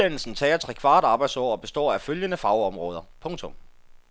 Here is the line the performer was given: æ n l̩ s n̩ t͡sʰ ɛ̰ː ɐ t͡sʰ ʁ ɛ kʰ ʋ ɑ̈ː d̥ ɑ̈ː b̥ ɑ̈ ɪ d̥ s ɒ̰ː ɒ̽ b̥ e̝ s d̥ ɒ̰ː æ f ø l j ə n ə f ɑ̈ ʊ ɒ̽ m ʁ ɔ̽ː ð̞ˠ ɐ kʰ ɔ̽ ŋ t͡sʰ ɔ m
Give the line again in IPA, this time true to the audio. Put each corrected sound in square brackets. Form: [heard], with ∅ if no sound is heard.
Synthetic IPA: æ n l̩ s n̩ t͡sʰ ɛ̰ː ɐ t͡sʰ ʁ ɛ kʰ ʋ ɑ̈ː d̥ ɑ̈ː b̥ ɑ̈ ɪ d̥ s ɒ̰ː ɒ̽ b̥ e̝ s d̥ ɒ̰ː æ f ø l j ə n ə f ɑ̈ ʊ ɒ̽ m ʁ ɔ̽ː ð̞ˠ ɐ [pʰ] ɔ̽ ŋ t͡sʰ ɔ m

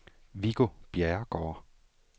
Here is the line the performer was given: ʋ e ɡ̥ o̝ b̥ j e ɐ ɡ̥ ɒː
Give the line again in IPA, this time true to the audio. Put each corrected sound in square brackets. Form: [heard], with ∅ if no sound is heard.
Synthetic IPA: ʋ [i] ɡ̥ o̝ b̥ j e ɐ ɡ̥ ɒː

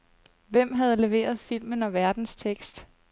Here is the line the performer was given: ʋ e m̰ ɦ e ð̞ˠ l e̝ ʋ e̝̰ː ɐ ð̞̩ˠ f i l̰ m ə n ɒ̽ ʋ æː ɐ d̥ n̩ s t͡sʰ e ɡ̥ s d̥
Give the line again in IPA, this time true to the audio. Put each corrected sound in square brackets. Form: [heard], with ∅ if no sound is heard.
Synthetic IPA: ʋ e m̰ ɦ [æ] ð̞ˠ l e̝ ʋ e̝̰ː ɐ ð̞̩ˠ f i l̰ m ə n ɒ̽ ʋ [æ] ɐ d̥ n̩ s t͡sʰ e ɡ̥ s d̥

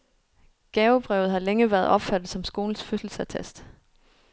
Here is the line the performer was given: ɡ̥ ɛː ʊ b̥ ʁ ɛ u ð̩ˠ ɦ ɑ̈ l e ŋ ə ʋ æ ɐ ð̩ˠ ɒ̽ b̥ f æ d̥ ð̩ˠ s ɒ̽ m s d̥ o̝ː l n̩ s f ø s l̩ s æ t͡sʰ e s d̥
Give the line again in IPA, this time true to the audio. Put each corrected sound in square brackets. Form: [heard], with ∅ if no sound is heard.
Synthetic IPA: ɡ̥ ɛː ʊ b̥ ʁ ɛ [ʊ] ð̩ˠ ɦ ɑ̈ l e ŋ ə ʋ æ ɐ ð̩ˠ ɒ̽ b̥ f æ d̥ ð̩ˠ s ɒ̽ m s [ɡ̥] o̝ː l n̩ s f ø s l̩ s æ t͡sʰ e s d̥

